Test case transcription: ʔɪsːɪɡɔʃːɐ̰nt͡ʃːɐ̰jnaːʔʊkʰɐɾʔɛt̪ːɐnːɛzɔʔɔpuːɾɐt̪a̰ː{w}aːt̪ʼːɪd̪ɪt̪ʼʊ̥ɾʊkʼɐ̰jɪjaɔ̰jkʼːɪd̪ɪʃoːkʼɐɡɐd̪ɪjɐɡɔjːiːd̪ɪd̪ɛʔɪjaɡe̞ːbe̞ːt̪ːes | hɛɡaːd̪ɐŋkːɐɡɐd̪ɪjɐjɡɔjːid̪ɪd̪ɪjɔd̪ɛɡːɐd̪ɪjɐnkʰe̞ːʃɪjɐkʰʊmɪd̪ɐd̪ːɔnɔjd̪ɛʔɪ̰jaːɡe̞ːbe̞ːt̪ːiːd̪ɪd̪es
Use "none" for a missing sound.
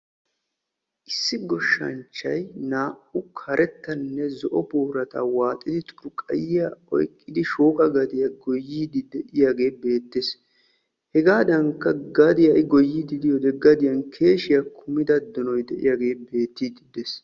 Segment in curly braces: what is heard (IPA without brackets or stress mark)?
w